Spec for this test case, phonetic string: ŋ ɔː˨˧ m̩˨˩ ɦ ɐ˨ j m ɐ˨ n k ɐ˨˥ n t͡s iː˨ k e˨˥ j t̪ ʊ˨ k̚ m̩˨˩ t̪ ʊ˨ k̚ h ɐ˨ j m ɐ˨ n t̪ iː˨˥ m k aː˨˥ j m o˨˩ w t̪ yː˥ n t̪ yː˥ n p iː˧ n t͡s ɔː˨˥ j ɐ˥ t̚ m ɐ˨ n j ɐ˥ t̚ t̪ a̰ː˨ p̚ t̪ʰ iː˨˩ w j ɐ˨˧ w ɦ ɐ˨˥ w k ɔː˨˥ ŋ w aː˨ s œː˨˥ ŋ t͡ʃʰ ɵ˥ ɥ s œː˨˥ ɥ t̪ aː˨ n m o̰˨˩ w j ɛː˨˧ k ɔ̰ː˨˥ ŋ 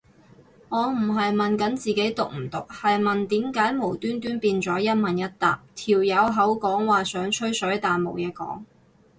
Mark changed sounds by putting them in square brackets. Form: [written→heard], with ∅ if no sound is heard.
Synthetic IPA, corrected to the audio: ŋ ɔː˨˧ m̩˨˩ ɦ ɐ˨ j m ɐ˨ n k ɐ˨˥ n t͡s iː˨ k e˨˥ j t̪ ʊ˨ k̚ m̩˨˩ t̪ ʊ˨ k̚ h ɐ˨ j m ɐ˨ n t̪ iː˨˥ m k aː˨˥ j m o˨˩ w t̪ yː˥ n t̪ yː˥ n p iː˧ n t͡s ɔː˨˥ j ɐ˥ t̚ m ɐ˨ n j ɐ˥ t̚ t̪ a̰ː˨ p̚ t̪ʰ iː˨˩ w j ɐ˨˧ w ɦ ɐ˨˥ w k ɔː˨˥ ŋ w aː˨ s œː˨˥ ŋ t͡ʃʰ ɵ˥ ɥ s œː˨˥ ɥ t̪ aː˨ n m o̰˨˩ w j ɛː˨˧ k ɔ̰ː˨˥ ŋ